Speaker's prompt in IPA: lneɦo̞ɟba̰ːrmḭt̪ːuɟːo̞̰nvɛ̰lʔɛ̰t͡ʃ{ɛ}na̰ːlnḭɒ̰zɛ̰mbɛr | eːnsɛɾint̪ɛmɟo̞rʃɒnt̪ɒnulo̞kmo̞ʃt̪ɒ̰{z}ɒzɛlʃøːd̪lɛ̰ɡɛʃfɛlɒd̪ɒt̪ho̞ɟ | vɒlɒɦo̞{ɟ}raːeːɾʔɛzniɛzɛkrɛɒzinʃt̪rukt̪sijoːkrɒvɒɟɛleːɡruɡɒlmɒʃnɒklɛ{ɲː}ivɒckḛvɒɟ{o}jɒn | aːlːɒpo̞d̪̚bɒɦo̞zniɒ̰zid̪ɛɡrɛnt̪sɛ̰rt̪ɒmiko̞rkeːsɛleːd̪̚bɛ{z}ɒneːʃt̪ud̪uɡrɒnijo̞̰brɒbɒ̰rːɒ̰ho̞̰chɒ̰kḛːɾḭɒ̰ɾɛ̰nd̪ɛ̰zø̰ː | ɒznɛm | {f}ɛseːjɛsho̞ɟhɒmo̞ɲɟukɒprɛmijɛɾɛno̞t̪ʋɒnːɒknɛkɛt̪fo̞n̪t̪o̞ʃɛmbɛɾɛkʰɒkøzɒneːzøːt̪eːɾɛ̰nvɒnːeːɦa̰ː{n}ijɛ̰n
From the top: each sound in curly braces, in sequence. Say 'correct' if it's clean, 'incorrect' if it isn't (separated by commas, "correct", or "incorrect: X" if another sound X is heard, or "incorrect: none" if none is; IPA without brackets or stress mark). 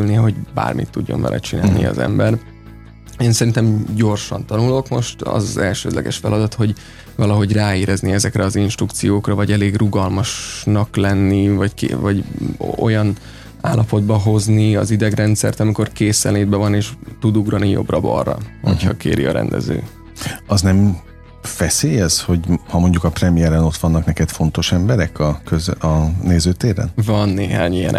incorrect: i, correct, correct, incorrect: nː, correct, incorrect: v, correct, incorrect: ɲ